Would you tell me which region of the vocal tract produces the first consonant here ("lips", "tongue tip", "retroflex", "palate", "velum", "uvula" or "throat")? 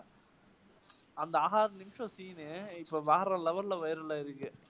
tongue tip